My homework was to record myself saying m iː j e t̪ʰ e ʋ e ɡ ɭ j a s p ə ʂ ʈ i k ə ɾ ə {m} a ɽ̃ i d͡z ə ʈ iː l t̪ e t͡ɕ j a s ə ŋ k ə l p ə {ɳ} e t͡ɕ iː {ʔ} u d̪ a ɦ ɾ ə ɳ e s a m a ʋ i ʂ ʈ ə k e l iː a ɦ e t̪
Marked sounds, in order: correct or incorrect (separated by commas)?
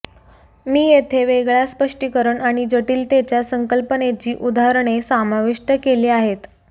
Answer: incorrect, incorrect, correct